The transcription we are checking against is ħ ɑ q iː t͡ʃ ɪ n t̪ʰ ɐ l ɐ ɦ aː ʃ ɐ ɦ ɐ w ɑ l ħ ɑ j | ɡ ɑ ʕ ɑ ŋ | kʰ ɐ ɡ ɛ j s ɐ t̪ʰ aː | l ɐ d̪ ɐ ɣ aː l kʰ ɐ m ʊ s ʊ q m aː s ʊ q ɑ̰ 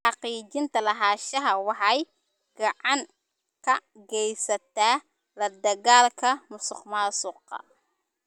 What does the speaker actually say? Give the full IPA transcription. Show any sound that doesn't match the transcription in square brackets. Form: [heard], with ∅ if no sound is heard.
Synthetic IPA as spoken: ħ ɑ q iː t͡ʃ ɪ n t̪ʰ ɐ l ɐ ɦ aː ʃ ɐ ɦ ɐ w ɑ [∅] ħ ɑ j | ɡ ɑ ʕ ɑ ŋ | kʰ ɐ ɡ ɛ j s ɐ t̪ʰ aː | l ɐ d̪ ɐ ɣ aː l kʰ ɐ m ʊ s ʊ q m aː s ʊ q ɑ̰